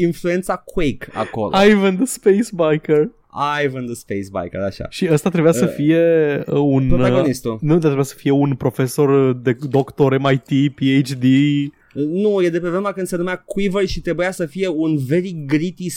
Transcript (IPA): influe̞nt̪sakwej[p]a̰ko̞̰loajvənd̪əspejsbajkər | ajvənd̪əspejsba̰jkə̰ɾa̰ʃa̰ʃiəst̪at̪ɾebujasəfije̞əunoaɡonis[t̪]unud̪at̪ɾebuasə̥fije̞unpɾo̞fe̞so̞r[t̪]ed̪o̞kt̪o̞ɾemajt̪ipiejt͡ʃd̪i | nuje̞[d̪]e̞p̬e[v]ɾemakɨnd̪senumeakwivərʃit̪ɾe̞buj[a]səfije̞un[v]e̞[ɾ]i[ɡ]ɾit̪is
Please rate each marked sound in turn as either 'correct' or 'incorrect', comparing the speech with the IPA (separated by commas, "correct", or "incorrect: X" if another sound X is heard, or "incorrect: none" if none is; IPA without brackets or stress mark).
incorrect: k, correct, incorrect: d̪, correct, correct, correct, correct, correct, correct